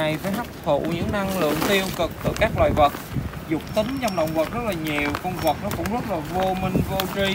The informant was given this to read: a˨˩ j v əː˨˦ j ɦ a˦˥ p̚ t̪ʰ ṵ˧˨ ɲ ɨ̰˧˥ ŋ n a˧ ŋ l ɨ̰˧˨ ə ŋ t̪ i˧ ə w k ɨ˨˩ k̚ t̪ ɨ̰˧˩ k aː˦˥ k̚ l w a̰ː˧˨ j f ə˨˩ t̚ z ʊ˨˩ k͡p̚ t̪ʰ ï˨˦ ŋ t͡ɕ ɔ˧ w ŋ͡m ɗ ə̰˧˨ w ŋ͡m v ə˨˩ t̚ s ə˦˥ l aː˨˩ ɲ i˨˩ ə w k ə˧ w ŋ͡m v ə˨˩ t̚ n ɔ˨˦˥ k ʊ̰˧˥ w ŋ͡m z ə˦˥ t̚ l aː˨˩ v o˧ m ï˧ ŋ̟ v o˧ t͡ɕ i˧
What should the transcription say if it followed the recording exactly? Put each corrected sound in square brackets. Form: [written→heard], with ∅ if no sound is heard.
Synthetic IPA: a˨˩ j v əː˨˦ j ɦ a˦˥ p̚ t̪ʰ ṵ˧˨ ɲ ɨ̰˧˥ ŋ n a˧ ŋ l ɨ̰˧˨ ə ŋ t̪ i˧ ə w k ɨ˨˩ k̚ t̪ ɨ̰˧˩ k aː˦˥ k̚ l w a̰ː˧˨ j [f→v] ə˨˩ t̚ z ʊ˨˩ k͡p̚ [t̪ʰ→t̪] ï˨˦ ŋ t͡ɕ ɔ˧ w ŋ͡m ɗ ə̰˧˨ w ŋ͡m v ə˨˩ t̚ [s→z] ə˦˥ l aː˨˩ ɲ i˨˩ ə w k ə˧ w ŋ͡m v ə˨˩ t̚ n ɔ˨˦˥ k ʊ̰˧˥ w ŋ͡m z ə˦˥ t̚ l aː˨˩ v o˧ m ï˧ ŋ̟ v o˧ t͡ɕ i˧

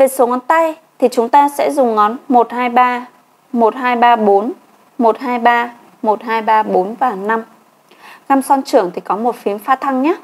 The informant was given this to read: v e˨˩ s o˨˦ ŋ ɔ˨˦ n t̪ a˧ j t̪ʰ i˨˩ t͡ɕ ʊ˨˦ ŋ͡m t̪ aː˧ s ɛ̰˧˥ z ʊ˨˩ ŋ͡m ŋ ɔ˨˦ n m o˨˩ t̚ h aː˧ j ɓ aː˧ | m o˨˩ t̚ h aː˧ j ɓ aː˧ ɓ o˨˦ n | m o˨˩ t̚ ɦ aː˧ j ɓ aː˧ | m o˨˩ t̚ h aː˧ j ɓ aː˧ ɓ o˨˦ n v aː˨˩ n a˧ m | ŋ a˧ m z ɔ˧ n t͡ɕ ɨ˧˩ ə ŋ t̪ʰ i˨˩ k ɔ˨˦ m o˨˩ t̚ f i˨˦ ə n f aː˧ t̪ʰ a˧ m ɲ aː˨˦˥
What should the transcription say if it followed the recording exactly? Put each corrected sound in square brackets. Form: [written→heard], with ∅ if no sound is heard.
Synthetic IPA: v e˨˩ s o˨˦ ŋ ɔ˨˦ n t̪ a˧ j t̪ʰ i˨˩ t͡ɕ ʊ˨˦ ŋ͡m t̪ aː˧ s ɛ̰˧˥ z ʊ˨˩ ŋ͡m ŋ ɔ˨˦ n m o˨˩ t̚ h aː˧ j ɓ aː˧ | m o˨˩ t̚ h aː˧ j ɓ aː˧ ɓ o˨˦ n | m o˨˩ t̚ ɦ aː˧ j ɓ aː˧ | m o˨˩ t̚ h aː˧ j ɓ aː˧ ɓ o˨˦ n v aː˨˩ n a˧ m | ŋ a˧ m [z→s] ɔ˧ n t͡ɕ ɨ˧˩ ə ŋ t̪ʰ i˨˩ k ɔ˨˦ m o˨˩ t̚ f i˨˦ ə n f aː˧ t̪ʰ a˧ [m→ŋ] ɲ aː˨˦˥

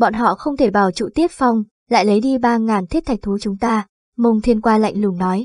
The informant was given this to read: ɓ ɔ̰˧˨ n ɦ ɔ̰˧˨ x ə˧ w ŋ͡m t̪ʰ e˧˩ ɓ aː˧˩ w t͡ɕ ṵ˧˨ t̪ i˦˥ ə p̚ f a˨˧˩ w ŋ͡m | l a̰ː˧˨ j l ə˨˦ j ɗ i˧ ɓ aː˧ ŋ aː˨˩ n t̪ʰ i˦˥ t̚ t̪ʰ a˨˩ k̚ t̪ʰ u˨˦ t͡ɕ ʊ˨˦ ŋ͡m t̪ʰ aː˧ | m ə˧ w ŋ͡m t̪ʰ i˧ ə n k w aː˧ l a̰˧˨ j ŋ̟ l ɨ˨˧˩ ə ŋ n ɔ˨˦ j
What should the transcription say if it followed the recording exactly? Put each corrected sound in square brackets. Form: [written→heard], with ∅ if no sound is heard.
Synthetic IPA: ɓ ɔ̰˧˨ n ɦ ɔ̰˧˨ x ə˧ w ŋ͡m t̪ʰ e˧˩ ɓ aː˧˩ w t͡ɕ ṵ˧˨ t̪ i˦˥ ə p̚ f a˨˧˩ w ŋ͡m | l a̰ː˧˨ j l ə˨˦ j ɗ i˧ ɓ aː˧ ŋ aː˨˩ n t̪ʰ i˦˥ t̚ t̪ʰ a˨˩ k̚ t̪ʰ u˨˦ t͡ɕ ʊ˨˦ ŋ͡m [t̪ʰ→t̪] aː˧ | m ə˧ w ŋ͡m t̪ʰ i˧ ə n k w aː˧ l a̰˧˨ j ŋ̟ l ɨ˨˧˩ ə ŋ n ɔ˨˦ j

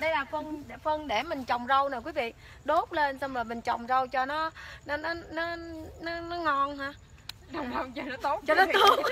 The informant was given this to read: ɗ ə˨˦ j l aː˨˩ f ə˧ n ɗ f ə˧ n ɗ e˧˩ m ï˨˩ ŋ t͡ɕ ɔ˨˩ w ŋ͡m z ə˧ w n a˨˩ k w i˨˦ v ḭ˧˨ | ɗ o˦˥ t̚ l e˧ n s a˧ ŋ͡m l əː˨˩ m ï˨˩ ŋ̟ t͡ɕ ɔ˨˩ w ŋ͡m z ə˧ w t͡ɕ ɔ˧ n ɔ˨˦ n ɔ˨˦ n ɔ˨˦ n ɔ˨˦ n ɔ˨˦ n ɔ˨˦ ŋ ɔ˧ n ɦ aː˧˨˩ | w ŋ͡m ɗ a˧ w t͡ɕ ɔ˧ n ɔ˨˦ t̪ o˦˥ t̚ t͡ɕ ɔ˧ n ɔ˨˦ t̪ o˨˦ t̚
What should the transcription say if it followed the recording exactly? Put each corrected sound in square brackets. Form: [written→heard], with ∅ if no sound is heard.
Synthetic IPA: ɗ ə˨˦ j l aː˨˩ f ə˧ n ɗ f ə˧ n ɗ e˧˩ m ï˨˩ ŋ t͡ɕ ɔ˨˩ w ŋ͡m z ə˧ w n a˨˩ k w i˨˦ v ḭ˧˨ | ɗ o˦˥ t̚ l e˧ n s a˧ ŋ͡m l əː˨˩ m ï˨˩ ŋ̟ t͡ɕ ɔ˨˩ w ŋ͡m z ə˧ w t͡ɕ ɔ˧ n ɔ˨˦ n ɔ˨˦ n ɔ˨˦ n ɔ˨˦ n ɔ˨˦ n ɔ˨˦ ŋ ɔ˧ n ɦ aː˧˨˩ | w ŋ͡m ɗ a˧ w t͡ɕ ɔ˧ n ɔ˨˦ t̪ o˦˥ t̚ t͡ɕ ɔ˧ n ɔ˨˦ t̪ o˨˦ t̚

